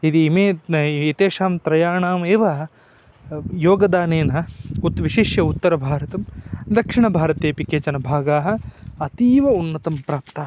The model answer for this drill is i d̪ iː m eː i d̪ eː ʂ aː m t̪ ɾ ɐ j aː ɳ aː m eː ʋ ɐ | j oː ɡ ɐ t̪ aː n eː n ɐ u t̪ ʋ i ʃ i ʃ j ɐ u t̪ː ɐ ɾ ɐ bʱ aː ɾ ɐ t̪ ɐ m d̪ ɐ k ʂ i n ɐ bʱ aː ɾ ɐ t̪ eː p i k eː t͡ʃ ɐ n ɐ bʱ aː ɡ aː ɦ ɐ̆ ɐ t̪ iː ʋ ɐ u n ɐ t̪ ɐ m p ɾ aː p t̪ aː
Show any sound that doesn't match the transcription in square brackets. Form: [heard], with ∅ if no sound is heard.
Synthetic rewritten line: i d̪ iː m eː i [t̪] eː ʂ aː m t̪ ɾ ɐ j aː ɳ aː m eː ʋ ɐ | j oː ɡ ɐ [d̪] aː n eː n ɐ u t̪ ʋ i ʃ i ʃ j ɐ u t̪ː ɐ ɾ ɐ bʱ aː ɾ ɐ t̪ ɐ m d̪ ɐ k ʂ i [ɳ] ɐ bʱ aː ɾ ɐ t̪ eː p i k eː t͡ʃ ɐ n ɐ bʱ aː ɡ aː ɦ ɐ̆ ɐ t̪ iː ʋ ɐ u [nː] ɐ t̪ ɐ m p ɾ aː p t̪ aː

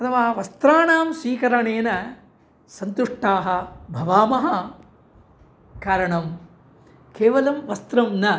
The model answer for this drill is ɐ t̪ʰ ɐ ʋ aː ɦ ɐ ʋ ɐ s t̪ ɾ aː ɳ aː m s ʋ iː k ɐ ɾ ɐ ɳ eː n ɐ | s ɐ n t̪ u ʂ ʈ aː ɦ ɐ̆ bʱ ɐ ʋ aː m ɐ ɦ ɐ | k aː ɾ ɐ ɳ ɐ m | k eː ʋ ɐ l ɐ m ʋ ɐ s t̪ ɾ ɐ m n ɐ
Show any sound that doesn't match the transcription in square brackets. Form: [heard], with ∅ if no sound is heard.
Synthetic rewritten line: ɐ t̪ʰ ɐ ʋ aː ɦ ɐ ʋ ɐ s t̪ ɾ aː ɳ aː m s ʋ iː k ɐ ɾ ɐ ɳ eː n ɐ | s ɐ n t̪ u ʂ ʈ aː ɦ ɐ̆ bʱ ɐ ʋ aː m ɐ ɦ ɐ | k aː ɾ ɐ ɳ ɐ m | k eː ʋ ɐ l ɐ m ʋ ɐ s t̪ ɾ ɐ m n ɐ

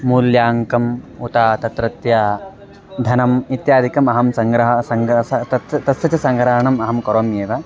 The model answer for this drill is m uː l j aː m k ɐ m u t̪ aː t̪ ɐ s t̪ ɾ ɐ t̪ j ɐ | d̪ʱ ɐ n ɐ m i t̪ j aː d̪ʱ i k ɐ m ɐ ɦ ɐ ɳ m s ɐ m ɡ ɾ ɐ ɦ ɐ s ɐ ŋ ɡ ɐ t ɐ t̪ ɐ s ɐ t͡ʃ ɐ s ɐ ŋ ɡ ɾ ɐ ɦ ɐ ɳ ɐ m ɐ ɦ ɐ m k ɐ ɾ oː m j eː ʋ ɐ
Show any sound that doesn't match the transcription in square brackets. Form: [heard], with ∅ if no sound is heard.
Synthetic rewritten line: m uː l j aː [ŋ] k ɐ m u t̪ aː t̪ ɐ [∅] t̪ ɾ ɐ t̪ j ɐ | d̪ʱ ɐ n ɐ m i t̪ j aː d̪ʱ i k ɐ m ɐ ɦ ɐ [∅] m s ɐ [ŋ] ɡ ɾ ɐ ɦ ɐ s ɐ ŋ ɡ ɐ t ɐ t̪ ɐ s ɐ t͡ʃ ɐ s ɐ ŋ ɡ ɾ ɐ ɦ ɐ ɳ ɐ m ɐ ɦ ɐ m k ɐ ɾ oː m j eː ʋ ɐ

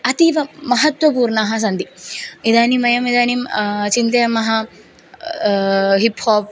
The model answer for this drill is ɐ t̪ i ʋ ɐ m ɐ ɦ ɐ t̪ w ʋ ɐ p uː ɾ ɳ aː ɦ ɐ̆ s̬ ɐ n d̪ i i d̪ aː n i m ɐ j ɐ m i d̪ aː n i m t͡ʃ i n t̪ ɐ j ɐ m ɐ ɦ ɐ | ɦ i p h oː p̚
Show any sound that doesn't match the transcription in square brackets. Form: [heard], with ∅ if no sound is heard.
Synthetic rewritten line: ɐ t̪ i ʋ ɐ m ɐ ɦ ɐ t̪ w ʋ ɐ p uː ɾ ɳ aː ɦ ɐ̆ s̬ ɐ n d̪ i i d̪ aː n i m ɐ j ɐ m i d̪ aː n i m t͡ʃ i n t̪ ɐ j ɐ m ɐ ɦ ɐ | ɦ i p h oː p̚

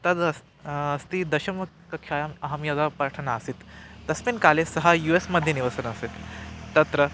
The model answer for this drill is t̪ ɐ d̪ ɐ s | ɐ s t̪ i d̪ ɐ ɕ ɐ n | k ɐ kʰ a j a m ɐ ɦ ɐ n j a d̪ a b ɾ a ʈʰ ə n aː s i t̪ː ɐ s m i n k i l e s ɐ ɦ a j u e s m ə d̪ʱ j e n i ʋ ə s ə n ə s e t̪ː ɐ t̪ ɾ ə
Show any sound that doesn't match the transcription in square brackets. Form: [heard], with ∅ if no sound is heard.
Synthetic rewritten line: t̪ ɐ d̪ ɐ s | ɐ s t̪ i d̪ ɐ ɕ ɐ [m] | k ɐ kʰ a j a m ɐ ɦ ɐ [m] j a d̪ a [p] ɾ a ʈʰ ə n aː s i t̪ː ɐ s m i n k [a] l e s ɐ ɦ a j u e s m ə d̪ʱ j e n i ʋ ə s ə n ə s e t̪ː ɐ t̪ ɾ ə

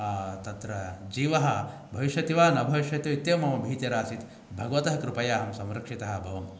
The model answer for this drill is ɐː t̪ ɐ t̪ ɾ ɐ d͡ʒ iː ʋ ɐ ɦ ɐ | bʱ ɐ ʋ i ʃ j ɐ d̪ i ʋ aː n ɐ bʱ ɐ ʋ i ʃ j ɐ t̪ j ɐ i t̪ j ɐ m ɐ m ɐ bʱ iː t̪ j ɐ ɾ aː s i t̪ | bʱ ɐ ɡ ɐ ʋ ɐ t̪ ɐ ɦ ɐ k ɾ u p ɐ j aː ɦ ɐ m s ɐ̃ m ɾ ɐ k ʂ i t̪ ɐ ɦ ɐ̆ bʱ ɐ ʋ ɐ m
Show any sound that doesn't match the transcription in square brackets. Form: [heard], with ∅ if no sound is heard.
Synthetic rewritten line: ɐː t̪ ɐ t̪ ɾ ɐ d͡ʒ iː ʋ ɐ ɦ ɐ | bʱ ɐ ʋ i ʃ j ɐ [t̪] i ʋ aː n ɐ bʱ ɐ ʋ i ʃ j ɐ t̪ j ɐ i t̪ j ɐ m ɐ m ɐ bʱ iː t̪ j ɐ ɾ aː s i t̪ | bʱ ɐ ɡ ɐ ʋ ɐ t̪ ɐ ɦ ɐ k ɾ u p ɐ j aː ɦ ɐ m s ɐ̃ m ɾ ɐ k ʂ i t̪ ɐ ɦ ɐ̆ bʱ ɐ ʋ ɐ m

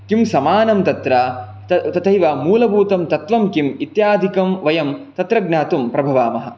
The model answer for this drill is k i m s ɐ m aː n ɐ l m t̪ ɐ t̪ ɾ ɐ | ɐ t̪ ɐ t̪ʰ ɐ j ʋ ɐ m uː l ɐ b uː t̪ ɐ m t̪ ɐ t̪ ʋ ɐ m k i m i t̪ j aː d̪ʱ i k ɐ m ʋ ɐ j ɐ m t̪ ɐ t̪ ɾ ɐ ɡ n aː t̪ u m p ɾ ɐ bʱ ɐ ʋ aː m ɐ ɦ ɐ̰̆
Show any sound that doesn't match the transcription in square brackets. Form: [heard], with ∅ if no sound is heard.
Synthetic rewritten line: k i m s ɐ m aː n ɐ [∅] m t̪ ɐ t̪ ɾ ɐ | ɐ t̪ ɐ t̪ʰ ɐ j ʋ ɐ m uː l ɐ b uː t̪ ɐ m t̪ ɐ t̪ ʋ ɐ m k i m i t̪ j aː d̪ʱ i k ɐ m ʋ ɐ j ɐ m t̪ ɐ t̪ ɾ ɐ ɡ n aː t̪ u m p ɾ ɐ bʱ ɐ ʋ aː m ɐ ɦ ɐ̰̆

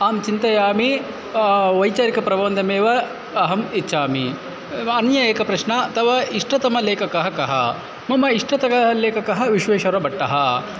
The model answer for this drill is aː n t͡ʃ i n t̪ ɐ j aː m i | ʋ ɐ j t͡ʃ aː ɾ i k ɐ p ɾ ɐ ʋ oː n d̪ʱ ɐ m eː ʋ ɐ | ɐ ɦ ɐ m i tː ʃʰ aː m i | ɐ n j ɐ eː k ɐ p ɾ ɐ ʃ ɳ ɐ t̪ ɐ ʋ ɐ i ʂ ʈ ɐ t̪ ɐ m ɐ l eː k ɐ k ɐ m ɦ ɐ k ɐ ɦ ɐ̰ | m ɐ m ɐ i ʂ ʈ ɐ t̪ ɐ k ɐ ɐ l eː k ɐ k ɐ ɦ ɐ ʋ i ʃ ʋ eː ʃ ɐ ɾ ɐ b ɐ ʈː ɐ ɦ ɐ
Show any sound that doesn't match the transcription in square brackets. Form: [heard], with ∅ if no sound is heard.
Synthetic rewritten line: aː [m] t͡ʃ i n t̪ ɐ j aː m i | ʋ ɐ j t͡ʃ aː ɾ i k ɐ p ɾ ɐ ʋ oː n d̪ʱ ɐ m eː ʋ ɐ | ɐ ɦ ɐ m i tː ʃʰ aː m i | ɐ n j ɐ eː k ɐ p ɾ ɐ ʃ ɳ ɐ t̪ ɐ ʋ ɐ i ʂ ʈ ɐ t̪ ɐ m ɐ l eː k ɐ k ɐ [∅] ɦ ɐ k ɐ ɦ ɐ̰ | m ɐ m ɐ i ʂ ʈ ɐ t̪ ɐ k ɐ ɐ l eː k ɐ k ɐ ɦ ɐ ʋ i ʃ ʋ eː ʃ ɐ ɾ ɐ b ɐ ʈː ɐ ɦ ɐ

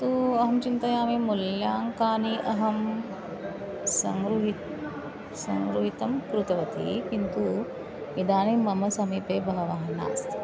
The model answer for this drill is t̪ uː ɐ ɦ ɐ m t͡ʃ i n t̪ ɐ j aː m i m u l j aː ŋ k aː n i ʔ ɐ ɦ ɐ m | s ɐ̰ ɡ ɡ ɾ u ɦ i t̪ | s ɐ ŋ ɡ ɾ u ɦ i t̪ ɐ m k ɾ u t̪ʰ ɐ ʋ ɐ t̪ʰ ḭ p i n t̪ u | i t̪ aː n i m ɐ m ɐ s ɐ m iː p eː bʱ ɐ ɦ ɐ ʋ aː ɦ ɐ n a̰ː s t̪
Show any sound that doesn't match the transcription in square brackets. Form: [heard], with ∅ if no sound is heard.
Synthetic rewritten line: t̪ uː ɐ ɦ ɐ m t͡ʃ i n t̪ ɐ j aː m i m u l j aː ŋ k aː n i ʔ ɐ ɦ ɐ m | s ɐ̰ [ŋ] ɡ ɾ u ɦ i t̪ | s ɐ ŋ ɡ ɾ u ɦ i t̪ ɐ m k ɾ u [t̪] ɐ ʋ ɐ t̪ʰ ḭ [k] i n t̪ u | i [d̪] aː n i m ɐ m ɐ s ɐ m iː p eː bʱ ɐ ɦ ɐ ʋ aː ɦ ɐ n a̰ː s t̪

